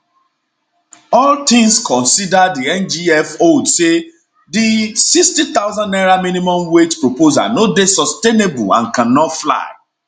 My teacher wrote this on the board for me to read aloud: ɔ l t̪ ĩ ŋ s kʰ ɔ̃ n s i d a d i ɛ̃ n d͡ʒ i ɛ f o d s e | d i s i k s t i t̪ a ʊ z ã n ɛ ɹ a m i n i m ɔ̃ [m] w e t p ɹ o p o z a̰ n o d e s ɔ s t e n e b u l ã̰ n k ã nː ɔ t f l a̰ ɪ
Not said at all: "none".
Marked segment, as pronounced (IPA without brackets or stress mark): m